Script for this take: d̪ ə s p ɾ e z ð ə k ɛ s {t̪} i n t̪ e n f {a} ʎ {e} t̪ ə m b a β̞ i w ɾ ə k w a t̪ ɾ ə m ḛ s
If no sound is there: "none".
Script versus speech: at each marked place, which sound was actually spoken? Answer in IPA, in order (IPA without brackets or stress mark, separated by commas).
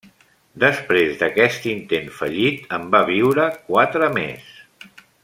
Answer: t̪, ə, i